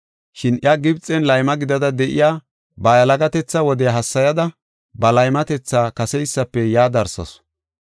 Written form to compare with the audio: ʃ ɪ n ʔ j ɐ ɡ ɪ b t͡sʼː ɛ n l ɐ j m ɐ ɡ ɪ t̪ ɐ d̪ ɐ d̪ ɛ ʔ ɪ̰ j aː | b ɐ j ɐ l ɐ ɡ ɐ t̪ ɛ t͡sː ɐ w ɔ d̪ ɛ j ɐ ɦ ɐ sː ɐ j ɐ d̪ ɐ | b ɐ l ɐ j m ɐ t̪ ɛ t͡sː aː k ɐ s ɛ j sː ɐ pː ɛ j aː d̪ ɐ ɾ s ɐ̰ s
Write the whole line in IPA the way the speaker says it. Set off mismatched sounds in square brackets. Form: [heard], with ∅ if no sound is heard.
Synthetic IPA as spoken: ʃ ɪ n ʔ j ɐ ɡ ɪ b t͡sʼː ɛ n l ɐ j m ɐ ɡ ɪ [d̪] ɐ d̪ ɐ d̪ ɛ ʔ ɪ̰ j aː | b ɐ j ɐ l ɐ ɡ ɐ t̪ ɛ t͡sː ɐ w ɔ d̪ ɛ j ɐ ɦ ɐ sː ɐ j ɐ d̪ ɐ | b ɐ l ɐ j m ɐ t̪ ɛ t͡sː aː k ɐ s ɛ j sː ɐ pː ɛ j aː d̪ ɐ ɾ s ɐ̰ s